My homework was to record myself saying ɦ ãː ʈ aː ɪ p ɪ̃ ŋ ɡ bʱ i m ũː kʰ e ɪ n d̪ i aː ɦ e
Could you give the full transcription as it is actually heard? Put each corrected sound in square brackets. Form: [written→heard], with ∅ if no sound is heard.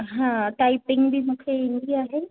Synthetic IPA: ɦ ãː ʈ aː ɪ p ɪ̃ ŋ ɡ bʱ i m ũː kʰ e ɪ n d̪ i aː ɦ e